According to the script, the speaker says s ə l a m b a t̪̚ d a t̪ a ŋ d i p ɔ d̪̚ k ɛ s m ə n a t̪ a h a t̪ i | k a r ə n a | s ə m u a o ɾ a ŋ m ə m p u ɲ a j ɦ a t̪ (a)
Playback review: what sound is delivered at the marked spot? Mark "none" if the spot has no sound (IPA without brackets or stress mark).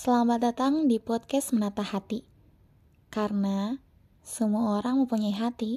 i